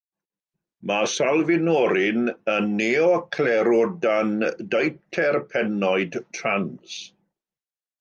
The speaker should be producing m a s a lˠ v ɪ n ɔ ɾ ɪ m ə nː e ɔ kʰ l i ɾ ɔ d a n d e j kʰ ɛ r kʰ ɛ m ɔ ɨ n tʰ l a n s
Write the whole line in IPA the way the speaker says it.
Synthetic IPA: m a s a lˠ v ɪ n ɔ ɾ ɪ n ə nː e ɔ kʰ l ɛ ɾ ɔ d a n d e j tʰ ɛ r pʰ ɛ n ɔ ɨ d tʰ r a n s